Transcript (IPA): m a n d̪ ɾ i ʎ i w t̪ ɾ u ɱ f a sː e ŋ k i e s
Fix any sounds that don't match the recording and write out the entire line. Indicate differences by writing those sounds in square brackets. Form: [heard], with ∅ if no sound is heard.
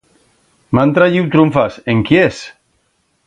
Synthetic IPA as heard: m a n [t̪] ɾ [a] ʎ i w t̪ ɾ u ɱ f a [s] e ŋ k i e s